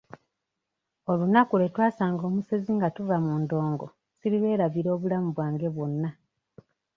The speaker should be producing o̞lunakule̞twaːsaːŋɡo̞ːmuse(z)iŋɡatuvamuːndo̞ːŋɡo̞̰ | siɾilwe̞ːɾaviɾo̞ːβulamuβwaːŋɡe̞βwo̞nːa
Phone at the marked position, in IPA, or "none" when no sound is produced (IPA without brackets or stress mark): z